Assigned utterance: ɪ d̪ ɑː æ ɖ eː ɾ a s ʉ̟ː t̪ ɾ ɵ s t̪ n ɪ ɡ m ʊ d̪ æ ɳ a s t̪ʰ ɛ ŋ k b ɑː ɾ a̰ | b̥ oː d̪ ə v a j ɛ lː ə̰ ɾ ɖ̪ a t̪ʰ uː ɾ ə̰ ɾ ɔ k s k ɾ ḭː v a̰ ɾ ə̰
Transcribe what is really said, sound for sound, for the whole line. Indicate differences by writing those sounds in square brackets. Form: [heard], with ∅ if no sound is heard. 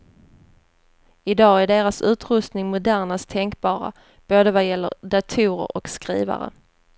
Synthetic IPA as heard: ɪ d̪ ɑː æ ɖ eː ɾ a s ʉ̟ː t̪ ɾ ɵ s t̪ n ɪ [ŋ] m ʊ d̪ æ ɳ a s t̪ʰ ɛ ŋ k b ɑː ɾ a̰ | b̥ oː d̪ ə v a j ɛ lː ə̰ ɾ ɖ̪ a t̪ʰ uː ɾ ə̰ ɾ ɔ k s k ɾ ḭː v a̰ ɾ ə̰